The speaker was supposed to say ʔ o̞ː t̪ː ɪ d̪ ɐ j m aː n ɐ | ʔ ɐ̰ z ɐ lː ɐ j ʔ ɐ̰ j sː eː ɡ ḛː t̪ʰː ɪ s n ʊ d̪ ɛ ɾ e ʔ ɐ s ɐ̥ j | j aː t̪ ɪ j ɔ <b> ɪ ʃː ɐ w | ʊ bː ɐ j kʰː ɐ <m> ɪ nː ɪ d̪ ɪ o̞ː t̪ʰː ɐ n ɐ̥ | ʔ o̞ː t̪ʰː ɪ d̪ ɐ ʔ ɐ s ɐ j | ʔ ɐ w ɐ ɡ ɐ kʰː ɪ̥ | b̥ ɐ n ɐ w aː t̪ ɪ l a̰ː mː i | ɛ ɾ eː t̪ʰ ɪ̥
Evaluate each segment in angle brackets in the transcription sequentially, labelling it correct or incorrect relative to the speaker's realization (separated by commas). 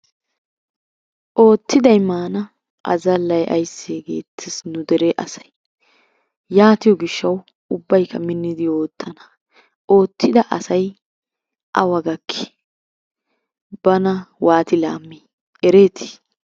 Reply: incorrect, correct